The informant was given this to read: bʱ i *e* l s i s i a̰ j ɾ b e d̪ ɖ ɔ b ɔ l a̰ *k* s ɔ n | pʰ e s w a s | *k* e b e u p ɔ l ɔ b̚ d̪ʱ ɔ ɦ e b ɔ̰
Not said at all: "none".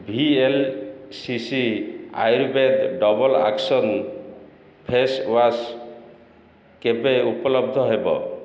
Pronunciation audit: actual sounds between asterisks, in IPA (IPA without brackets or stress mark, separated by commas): e, k, k